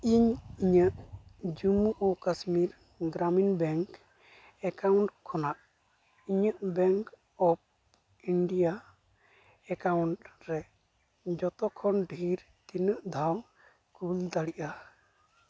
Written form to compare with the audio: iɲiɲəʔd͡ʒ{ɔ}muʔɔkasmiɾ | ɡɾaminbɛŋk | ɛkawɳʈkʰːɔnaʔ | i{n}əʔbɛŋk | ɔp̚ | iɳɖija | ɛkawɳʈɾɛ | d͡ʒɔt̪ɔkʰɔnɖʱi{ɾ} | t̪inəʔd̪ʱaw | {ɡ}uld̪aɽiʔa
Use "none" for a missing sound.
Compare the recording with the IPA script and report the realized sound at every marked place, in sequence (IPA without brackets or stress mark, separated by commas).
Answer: u, ɲ, ɾ, k